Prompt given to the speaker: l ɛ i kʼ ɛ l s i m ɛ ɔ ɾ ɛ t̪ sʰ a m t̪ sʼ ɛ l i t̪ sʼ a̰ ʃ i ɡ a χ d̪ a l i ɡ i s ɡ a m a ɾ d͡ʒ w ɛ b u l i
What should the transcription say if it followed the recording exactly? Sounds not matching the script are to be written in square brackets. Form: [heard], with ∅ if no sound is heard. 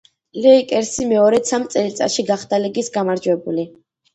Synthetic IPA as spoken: l ɛ i kʼ ɛ [ɾ] s i m ɛ ɔ ɾ ɛ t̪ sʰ a m t̪ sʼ ɛ l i t̪ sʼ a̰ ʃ i ɡ a χ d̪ a l i ɡ i s ɡ a m a ɾ d͡ʒ w ɛ b u l i